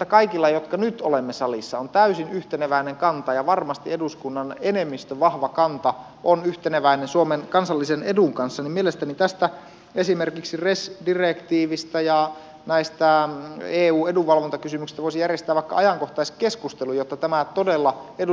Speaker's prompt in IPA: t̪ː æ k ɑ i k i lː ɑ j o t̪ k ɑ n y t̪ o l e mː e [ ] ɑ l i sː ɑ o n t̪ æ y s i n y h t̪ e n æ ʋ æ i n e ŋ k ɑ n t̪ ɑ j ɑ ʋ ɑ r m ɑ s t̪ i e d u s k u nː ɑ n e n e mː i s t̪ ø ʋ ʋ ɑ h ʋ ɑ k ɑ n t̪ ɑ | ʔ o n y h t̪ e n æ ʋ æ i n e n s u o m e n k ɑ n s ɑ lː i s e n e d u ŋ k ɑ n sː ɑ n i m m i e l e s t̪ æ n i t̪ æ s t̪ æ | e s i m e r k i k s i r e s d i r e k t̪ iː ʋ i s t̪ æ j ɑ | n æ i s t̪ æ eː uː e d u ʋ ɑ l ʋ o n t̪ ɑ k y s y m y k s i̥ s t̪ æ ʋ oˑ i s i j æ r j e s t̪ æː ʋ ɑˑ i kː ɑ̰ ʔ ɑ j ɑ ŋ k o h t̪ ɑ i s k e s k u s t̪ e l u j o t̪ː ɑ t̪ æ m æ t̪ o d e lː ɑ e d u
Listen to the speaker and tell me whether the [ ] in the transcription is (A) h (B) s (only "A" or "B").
B